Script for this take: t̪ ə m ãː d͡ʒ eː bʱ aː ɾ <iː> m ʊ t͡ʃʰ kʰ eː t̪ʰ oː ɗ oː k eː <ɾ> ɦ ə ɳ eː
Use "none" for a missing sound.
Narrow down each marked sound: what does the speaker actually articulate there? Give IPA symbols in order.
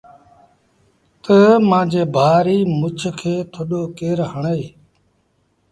iː, ɾ

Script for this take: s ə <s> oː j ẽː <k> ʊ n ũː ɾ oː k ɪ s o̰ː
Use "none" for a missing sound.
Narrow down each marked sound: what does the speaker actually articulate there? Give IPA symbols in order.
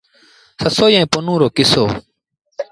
s, p

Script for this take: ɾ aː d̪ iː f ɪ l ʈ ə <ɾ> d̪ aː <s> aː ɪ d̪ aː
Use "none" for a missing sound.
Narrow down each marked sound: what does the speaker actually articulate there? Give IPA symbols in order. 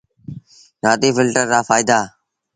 ɾ, f

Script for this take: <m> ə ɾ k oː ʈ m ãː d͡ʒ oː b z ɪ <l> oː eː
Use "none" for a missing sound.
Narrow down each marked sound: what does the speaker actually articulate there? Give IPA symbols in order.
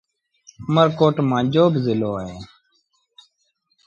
m, l

